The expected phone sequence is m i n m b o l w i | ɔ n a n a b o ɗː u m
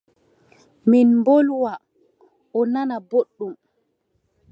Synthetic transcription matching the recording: m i n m b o l w a | ɔ n a n a b o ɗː u m